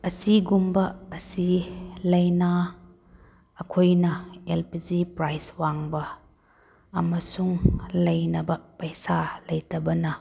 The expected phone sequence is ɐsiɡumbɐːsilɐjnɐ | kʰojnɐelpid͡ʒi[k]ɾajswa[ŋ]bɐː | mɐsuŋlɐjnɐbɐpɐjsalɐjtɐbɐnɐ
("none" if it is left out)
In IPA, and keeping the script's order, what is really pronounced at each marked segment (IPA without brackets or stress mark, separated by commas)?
p, ŋ